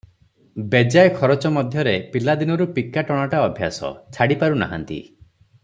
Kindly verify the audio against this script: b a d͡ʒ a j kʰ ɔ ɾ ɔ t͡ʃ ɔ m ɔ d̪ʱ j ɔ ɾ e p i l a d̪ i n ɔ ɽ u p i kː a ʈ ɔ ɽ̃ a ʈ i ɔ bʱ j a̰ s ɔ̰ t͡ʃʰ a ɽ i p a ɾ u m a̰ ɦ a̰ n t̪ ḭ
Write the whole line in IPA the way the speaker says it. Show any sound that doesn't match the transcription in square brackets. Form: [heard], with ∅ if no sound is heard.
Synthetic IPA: b [e] d͡ʒ a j kʰ ɔ ɾ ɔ t͡ʃ ɔ m ɔ d̪ʱ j ɔ ɾ e p i l a d̪ i n ɔ [ɾ] u p i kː a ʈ ɔ ɽ̃ a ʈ [a] ɔ bʱ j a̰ s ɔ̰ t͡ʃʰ a ɽ i p a ɾ u [n] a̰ ɦ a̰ n t̪ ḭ